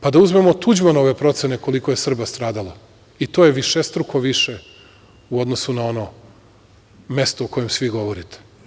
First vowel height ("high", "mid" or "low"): low